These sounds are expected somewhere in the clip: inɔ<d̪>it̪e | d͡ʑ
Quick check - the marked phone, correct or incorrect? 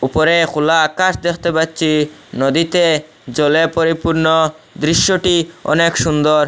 correct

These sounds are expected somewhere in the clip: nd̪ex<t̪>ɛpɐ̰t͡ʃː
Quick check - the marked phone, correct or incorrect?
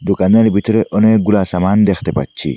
correct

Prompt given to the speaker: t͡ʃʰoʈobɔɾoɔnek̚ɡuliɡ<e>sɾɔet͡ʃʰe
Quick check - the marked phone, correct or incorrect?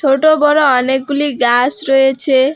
incorrect: a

